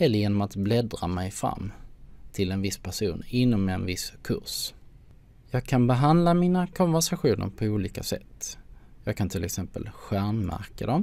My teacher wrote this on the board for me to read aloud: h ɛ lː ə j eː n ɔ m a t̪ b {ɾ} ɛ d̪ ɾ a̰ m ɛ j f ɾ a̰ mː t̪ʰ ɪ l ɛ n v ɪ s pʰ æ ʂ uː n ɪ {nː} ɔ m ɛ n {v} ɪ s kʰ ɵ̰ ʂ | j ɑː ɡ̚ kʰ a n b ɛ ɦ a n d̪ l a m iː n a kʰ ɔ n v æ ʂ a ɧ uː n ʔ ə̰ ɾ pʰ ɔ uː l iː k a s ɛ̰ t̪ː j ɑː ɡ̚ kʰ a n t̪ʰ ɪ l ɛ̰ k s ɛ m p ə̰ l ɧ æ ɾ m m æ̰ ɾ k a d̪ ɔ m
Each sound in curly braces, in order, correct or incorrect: incorrect, correct, correct

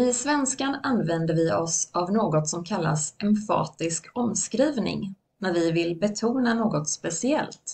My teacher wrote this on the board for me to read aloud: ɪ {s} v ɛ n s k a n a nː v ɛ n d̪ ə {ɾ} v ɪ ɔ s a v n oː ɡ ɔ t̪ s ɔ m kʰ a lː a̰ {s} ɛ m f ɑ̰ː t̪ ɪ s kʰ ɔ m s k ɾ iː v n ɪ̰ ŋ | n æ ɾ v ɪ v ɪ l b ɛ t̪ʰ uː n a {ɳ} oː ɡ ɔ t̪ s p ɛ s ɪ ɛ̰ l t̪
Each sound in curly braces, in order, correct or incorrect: correct, correct, correct, incorrect

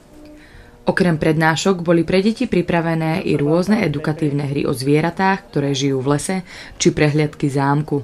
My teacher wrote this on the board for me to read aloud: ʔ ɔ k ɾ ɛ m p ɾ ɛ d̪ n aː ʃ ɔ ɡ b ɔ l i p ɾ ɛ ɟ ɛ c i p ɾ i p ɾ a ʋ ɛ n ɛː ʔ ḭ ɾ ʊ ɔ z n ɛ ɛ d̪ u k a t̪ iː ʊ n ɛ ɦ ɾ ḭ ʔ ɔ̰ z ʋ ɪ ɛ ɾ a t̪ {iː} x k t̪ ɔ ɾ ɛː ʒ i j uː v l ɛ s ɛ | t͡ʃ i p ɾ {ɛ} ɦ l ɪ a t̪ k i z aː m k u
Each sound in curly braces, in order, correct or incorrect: incorrect, correct

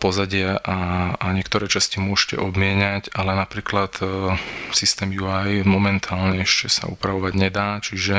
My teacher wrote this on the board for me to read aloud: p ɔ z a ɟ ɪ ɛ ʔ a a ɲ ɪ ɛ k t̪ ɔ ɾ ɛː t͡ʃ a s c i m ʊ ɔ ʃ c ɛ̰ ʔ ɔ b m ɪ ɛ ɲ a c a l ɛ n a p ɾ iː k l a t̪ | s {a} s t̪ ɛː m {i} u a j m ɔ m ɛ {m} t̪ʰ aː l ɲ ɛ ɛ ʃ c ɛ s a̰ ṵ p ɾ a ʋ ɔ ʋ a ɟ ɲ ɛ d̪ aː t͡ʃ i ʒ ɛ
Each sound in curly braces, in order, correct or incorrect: incorrect, incorrect, incorrect

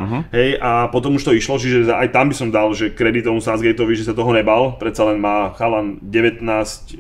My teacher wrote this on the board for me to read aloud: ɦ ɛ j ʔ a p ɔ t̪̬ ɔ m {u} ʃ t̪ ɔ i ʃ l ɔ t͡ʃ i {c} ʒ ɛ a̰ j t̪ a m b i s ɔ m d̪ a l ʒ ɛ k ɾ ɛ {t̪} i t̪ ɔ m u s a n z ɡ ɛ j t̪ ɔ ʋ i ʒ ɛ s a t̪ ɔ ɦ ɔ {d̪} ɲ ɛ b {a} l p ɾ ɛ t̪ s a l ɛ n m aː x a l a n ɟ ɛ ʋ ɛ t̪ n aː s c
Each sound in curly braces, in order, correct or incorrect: correct, incorrect, incorrect, incorrect, correct

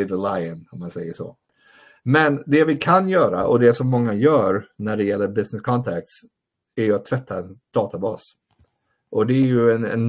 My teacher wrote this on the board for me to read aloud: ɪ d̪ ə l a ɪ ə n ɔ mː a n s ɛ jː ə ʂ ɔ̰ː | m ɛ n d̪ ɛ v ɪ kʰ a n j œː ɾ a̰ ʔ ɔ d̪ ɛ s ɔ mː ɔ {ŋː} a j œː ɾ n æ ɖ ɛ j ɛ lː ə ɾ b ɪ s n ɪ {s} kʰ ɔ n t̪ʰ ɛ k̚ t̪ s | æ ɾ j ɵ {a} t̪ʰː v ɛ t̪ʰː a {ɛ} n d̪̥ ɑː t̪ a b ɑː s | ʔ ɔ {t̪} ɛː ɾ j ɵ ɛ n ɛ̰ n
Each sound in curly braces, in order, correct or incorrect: correct, correct, correct, correct, incorrect

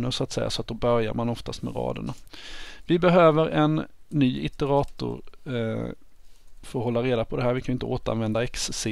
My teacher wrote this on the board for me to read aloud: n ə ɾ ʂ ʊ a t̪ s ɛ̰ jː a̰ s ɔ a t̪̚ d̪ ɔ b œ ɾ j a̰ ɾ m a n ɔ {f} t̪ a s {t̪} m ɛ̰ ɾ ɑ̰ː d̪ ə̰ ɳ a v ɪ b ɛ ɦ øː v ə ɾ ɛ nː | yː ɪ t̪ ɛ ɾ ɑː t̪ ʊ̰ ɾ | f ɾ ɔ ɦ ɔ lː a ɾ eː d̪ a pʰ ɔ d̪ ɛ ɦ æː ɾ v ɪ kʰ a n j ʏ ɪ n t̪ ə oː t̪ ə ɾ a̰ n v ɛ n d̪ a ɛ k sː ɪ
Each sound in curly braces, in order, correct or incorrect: correct, correct

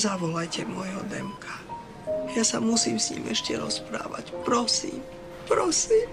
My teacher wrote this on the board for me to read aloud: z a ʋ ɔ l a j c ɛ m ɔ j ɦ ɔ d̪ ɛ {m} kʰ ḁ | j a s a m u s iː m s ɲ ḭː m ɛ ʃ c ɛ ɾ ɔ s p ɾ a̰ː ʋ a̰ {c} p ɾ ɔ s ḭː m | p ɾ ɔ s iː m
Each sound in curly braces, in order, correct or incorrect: correct, correct

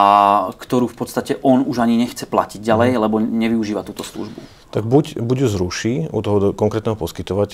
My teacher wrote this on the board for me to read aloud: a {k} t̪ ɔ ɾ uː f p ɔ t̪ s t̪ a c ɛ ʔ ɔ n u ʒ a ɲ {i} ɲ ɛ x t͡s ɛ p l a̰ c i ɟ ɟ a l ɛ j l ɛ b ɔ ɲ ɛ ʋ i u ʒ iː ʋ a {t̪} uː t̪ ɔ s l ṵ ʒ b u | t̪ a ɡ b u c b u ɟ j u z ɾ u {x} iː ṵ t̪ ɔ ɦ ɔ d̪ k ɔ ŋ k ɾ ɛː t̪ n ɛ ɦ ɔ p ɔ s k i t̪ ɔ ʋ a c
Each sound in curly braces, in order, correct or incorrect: correct, correct, correct, incorrect

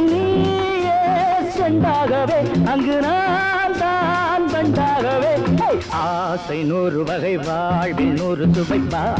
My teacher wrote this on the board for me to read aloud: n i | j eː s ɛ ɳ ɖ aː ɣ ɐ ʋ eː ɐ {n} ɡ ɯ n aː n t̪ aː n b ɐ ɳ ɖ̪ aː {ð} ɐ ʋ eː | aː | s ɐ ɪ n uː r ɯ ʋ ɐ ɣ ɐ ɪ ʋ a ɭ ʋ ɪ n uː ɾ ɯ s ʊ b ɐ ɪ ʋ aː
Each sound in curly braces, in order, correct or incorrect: incorrect, incorrect

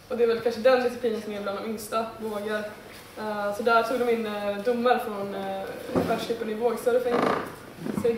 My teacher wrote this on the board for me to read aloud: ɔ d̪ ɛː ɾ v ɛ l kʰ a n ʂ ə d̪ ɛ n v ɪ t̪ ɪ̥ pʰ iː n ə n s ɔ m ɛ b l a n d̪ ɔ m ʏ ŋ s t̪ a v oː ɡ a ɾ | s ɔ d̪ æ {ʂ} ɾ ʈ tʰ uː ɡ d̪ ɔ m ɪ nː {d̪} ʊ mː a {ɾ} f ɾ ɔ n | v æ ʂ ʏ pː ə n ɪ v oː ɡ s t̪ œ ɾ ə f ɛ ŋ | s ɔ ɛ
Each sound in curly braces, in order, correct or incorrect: incorrect, correct, correct

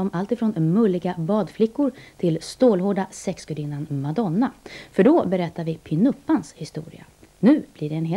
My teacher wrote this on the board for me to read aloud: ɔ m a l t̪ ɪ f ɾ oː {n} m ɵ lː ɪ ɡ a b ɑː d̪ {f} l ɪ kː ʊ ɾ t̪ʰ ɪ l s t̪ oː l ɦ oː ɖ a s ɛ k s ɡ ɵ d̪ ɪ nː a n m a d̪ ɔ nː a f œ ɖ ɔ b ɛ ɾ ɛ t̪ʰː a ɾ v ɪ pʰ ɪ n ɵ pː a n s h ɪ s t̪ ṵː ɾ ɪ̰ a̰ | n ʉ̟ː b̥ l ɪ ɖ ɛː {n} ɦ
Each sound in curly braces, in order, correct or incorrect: correct, correct, correct

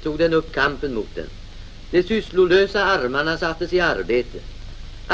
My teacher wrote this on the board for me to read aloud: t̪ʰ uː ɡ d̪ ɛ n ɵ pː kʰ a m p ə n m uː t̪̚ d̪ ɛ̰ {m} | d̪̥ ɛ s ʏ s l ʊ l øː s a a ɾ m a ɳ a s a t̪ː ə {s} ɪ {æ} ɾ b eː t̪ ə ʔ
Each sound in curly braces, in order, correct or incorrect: incorrect, correct, incorrect

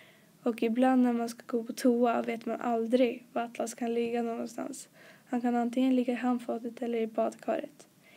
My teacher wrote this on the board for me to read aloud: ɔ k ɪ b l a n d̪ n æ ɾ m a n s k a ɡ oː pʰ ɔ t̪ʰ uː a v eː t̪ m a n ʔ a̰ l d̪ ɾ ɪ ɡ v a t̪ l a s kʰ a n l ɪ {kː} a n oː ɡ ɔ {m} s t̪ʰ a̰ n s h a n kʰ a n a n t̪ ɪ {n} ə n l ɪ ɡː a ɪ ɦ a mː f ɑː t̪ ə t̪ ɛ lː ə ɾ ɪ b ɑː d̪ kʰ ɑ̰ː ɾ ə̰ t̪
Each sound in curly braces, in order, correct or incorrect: incorrect, incorrect, incorrect

